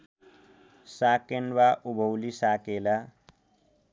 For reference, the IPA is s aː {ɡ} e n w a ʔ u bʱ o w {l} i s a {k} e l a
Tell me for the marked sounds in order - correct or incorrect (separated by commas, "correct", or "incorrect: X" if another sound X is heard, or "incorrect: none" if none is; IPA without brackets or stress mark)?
incorrect: k, correct, correct